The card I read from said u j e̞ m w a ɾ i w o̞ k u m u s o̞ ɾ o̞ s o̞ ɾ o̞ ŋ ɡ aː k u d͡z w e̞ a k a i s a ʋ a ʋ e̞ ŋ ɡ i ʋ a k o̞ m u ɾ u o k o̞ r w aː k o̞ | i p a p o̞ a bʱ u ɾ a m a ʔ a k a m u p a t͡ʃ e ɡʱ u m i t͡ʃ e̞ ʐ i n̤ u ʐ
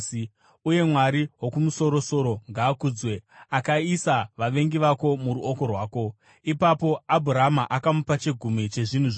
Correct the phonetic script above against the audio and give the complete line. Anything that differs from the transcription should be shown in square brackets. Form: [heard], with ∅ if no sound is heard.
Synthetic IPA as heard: u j e̞ m w a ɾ i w o̞ k u m u s o̞ ɾ o̞ s o̞ ɾ o̞ ŋ ɡ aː k u d͡z w e̞ a k a i s a ʋ a ʋ e̞ ŋ ɡ i ʋ a k o̞ m u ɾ u o k o̞ r w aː k o̞ | i p a p o̞ a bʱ u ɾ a m a ʔ a k a m u p a t͡ʃ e ɡʱ u m i t͡ʃ e̞ ʐ i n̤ u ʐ